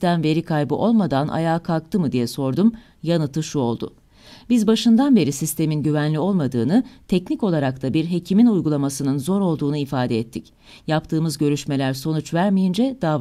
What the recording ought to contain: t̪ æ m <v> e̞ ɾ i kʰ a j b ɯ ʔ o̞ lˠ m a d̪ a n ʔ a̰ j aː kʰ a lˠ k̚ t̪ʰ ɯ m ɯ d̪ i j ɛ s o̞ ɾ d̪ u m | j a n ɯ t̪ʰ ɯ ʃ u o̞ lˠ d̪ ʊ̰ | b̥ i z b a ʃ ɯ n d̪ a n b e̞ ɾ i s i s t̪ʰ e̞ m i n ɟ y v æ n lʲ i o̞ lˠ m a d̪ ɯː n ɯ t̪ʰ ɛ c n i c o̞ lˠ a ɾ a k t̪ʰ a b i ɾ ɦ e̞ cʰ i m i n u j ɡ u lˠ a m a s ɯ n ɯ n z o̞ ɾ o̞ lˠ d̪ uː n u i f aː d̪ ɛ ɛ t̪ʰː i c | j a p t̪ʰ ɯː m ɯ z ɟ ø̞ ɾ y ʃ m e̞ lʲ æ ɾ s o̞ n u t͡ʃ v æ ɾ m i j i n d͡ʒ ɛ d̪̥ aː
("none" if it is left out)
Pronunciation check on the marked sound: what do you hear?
v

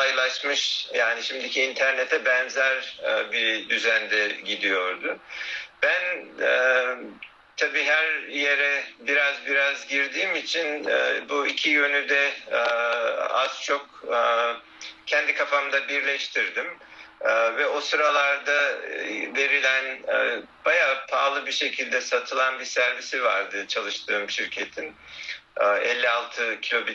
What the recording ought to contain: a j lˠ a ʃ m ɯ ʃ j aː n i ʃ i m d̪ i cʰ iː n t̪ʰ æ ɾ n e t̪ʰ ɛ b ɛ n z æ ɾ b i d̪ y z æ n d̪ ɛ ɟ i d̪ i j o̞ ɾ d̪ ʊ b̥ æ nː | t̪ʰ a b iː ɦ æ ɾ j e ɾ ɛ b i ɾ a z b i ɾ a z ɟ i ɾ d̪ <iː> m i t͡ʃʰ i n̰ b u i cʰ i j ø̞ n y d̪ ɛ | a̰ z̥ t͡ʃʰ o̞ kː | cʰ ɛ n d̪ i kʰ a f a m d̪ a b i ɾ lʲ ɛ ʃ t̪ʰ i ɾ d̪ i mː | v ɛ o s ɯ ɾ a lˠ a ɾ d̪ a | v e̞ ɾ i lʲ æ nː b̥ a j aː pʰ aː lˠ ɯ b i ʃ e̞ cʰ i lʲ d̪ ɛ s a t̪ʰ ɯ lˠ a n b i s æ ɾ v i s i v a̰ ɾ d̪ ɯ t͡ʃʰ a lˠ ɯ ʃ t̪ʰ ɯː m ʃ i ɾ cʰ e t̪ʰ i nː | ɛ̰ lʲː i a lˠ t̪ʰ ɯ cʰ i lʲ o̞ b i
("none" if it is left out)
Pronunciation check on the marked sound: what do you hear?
iː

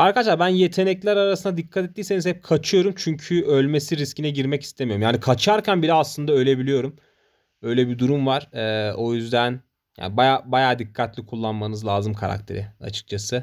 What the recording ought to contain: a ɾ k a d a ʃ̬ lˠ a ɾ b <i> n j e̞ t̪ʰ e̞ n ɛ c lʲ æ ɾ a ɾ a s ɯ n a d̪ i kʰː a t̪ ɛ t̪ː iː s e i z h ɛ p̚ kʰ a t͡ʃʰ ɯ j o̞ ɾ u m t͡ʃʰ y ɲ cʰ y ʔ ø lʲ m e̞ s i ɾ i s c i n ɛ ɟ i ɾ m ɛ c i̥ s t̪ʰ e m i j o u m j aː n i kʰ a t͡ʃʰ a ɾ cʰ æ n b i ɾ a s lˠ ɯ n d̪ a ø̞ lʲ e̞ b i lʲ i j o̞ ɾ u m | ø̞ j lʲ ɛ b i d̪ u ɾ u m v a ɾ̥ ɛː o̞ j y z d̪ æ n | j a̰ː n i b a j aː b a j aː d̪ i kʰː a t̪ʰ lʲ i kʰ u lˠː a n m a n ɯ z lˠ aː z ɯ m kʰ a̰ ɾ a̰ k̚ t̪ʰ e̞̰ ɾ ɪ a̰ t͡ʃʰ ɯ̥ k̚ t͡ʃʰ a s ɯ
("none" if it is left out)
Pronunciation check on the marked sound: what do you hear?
æ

